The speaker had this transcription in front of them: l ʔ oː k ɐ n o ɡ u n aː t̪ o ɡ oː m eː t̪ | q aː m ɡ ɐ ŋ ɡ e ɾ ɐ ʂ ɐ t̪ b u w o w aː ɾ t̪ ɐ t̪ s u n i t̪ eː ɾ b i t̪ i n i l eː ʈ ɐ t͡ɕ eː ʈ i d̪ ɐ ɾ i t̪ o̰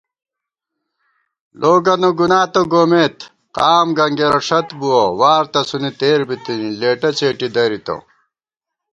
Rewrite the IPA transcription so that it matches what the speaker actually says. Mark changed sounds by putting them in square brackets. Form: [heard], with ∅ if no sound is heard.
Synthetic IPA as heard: l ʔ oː [ɡ] ɐ n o ɡ u n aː t̪ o ɡ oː m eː t̪ | q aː m ɡ ɐ ŋ ɡ e ɾ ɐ ʂ ɐ t̪ b u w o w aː ɾ t̪ ɐ [∅] s u n i t̪ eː ɾ b i t̪ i n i l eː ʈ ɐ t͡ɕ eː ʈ i d̪ ɐ ɾ i t̪ o̰